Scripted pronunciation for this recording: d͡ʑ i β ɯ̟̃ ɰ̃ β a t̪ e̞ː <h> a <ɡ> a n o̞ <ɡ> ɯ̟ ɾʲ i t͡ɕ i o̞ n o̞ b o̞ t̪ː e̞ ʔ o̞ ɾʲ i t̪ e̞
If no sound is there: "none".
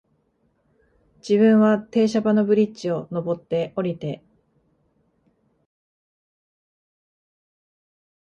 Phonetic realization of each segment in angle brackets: ɕ, b, b

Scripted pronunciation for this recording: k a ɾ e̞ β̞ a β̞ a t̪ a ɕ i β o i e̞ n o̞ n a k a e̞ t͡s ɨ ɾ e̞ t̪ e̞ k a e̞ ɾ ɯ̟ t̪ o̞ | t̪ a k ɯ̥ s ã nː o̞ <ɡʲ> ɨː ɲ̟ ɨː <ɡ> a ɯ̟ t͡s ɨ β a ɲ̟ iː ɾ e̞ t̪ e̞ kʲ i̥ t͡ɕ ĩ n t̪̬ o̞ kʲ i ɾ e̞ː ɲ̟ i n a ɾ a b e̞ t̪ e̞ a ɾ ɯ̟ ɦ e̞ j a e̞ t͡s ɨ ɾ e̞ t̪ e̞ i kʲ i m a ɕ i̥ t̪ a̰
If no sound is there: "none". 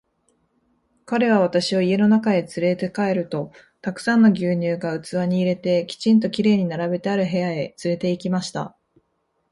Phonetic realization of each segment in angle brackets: ɡʲ, ɡ

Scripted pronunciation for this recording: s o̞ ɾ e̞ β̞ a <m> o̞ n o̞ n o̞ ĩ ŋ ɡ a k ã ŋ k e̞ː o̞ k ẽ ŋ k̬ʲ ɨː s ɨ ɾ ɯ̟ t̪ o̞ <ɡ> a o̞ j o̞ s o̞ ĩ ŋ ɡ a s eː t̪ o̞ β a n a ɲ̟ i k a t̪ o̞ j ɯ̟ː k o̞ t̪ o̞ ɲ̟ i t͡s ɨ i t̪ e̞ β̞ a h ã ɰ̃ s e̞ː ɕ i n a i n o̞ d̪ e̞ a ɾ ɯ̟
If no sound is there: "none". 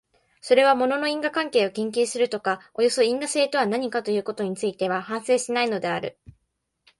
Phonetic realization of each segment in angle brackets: m, k

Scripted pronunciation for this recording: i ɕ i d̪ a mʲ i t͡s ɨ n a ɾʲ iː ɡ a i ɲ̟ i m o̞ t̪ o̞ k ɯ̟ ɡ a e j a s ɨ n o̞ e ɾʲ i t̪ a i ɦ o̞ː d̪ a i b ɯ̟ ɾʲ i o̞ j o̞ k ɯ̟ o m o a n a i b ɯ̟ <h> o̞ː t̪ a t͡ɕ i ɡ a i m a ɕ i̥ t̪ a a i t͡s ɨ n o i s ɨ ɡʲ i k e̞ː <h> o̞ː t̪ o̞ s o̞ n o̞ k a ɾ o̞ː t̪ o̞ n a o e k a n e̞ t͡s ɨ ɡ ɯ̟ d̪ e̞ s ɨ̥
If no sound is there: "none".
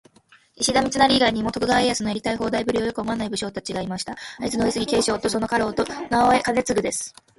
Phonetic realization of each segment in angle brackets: ɕ, ɕ

